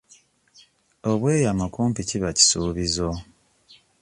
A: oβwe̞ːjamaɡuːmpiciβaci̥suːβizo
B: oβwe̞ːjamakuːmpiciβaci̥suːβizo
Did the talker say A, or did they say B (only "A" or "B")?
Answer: B